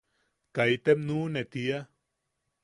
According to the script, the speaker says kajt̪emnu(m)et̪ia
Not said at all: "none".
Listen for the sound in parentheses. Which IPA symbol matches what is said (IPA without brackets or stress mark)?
n